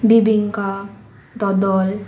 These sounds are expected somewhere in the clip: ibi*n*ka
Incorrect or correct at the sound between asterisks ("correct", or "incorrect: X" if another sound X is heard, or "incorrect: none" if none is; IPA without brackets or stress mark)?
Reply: incorrect: ŋ